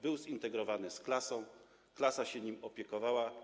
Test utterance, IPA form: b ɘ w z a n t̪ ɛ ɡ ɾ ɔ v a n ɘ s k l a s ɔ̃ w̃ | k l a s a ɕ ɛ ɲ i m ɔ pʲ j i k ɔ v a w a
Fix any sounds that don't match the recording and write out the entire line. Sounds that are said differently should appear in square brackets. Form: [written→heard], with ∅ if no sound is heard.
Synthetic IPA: b ɘ w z [a→i] n t̪ ɛ ɡ ɾ ɔ v a n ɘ s k l a s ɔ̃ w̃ | k l a s a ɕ ɛ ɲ i m ɔ pʲ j [i→ɛ] k ɔ v a w a